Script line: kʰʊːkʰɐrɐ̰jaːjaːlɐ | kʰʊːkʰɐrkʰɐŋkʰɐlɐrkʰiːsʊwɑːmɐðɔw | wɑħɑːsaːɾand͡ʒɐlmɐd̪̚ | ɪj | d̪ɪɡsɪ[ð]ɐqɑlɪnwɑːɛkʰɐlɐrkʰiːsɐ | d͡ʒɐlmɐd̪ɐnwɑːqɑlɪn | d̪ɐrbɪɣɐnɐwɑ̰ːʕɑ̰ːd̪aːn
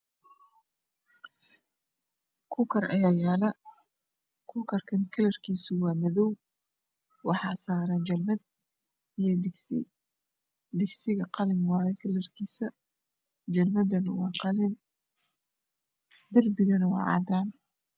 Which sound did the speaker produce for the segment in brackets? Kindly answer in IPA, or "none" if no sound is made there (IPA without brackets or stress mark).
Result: ɣ